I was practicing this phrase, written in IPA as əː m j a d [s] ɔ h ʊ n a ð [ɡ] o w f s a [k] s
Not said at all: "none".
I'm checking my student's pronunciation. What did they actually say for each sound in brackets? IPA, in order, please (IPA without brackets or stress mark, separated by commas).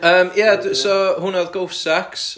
s, ɡ, k